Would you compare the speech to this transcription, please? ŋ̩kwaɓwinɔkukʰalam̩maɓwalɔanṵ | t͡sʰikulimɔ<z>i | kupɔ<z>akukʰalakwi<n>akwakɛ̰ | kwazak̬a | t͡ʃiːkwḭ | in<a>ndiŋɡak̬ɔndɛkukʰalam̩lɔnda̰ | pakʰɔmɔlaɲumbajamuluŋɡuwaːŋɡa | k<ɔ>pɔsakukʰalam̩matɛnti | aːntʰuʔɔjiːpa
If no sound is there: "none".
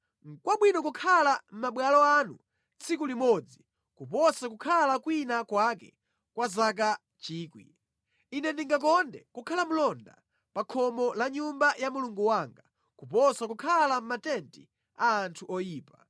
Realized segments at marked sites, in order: d͡z, s, n, ɛ, u

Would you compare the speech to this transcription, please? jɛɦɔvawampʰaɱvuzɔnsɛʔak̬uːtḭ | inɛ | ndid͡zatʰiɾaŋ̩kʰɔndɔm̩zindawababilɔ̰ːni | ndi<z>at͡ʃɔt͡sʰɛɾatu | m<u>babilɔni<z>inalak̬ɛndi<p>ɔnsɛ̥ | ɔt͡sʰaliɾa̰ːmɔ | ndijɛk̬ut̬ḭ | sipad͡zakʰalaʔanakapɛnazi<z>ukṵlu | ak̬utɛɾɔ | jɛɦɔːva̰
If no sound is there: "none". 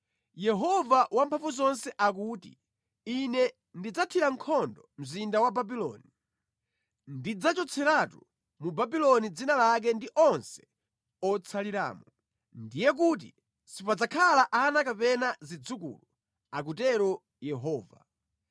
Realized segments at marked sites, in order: d͡z, u, d͡z, ʔ, d͡z

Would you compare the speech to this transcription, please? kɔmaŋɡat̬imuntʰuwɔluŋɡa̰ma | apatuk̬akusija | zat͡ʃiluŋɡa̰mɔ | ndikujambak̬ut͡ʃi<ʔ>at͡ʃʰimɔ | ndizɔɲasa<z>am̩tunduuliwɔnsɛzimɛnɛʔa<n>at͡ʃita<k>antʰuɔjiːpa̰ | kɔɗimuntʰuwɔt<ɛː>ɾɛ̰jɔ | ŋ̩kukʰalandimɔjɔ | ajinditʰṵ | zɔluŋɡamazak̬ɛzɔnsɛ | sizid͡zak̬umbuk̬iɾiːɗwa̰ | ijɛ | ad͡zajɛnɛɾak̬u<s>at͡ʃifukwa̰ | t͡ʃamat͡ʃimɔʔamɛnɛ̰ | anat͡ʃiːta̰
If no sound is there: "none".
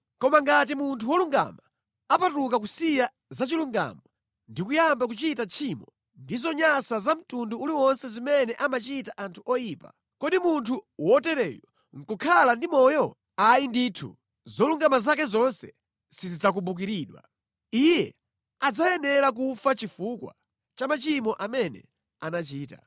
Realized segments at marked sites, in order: t, z, m, ʔ, ɛ, f

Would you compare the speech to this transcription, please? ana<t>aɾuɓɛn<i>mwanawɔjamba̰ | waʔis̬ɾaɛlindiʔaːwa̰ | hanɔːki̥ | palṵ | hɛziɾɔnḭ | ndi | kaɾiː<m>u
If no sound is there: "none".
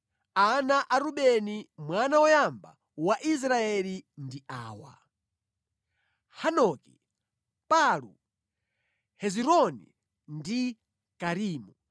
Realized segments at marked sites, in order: ʔ, i, m

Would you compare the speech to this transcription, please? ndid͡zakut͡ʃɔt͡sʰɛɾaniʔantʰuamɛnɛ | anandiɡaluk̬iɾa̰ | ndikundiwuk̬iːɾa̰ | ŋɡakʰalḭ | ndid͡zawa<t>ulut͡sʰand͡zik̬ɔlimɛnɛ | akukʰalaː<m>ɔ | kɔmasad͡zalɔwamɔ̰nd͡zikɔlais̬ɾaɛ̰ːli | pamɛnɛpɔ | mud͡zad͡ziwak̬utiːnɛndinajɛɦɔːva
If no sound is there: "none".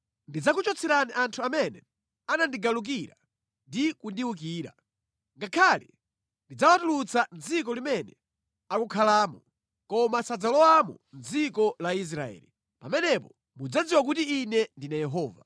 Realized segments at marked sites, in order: t, m

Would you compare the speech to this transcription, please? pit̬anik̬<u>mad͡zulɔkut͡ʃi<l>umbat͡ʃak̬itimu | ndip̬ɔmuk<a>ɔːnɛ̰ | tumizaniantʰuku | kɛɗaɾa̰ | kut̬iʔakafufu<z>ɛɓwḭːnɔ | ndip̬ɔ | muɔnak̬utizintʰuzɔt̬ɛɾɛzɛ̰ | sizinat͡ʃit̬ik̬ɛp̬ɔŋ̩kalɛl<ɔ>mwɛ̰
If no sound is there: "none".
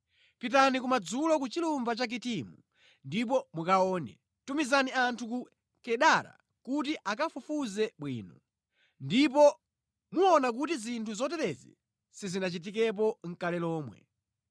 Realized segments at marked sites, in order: u, l, a, z, ɔː

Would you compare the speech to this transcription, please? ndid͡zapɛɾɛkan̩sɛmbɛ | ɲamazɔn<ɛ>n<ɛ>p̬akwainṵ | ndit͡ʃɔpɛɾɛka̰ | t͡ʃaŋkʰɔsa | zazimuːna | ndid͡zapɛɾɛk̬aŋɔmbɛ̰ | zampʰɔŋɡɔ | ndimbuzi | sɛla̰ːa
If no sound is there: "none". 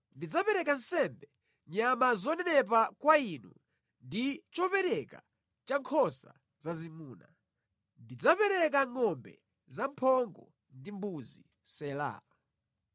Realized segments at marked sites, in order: ɛ, ɛ

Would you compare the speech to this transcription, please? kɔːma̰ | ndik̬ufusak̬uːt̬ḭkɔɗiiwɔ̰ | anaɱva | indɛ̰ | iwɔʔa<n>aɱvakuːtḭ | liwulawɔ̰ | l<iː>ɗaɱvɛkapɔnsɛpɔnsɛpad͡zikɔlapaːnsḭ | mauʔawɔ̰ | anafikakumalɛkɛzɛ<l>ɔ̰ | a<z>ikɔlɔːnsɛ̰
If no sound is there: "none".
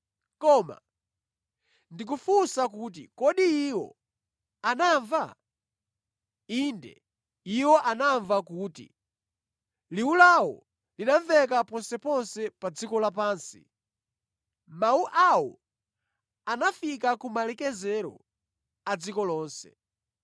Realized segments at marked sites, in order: n, i, ɾ, d͡z

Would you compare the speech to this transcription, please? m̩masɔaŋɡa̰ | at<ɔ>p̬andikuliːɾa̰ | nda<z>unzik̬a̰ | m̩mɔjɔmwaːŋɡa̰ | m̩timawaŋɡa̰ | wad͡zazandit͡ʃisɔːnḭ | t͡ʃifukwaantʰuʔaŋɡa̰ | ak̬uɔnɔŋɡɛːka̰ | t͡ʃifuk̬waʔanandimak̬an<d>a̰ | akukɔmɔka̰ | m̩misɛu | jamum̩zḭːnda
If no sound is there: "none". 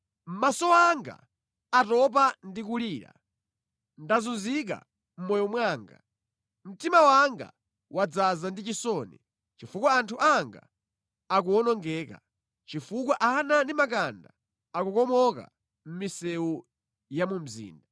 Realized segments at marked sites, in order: ɔ, z, d

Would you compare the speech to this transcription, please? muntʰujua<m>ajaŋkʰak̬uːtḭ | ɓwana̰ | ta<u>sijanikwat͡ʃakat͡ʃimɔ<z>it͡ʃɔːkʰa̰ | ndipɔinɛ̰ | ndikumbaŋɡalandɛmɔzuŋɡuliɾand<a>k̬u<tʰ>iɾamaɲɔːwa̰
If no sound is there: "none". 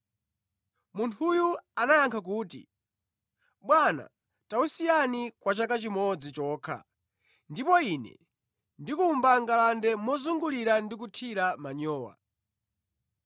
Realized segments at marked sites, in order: n, u, d͡z, i, tʰ

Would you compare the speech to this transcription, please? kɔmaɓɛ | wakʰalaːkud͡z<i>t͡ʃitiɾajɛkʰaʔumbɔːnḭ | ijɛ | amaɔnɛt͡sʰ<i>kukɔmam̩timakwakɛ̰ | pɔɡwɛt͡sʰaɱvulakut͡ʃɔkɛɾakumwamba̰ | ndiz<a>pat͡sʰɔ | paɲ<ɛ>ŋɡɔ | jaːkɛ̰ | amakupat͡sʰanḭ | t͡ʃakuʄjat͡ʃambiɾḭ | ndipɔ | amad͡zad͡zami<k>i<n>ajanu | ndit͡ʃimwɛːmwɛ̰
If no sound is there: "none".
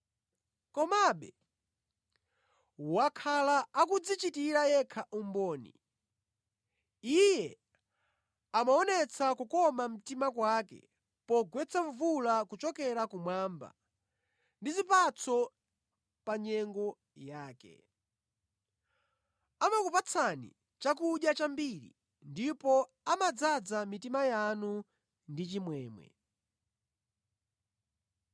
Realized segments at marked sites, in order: i, a, i, ɛ, t, m

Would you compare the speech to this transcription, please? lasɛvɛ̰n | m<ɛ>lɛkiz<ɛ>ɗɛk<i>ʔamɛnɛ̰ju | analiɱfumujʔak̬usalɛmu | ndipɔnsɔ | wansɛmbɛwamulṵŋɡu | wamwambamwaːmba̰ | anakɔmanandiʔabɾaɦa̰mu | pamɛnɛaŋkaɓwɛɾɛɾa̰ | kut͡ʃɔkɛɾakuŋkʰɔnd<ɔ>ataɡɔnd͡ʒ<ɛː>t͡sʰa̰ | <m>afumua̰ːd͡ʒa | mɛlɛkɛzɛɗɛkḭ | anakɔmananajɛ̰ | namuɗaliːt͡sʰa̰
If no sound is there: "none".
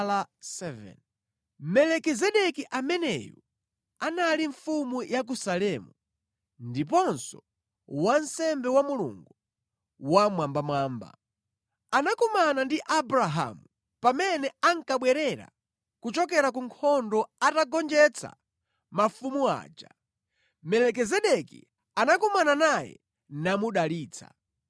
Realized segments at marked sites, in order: ɛ, ɛ, i, ɔ, ɛ, m

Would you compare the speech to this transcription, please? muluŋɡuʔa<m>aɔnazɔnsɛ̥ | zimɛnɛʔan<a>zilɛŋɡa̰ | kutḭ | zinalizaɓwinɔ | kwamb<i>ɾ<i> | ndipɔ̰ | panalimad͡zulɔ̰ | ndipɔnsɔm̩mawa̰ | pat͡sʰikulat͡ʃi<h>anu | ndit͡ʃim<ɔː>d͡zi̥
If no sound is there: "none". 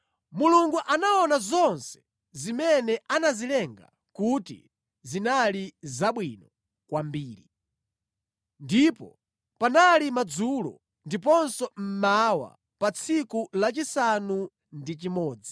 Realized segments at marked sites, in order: n, a, iː, i, s, ɔː

